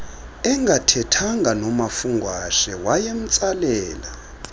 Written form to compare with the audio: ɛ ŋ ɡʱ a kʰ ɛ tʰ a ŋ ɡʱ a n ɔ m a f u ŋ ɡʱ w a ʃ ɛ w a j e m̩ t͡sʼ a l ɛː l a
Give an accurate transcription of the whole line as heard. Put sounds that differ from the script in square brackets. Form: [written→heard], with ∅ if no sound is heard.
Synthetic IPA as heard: ɛ ŋ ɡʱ a [kʰ→tʰ] ɛ tʰ a ŋ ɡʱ a n ɔ m a f u ŋ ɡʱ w a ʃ ɛ w a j e m̩ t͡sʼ a l ɛː l a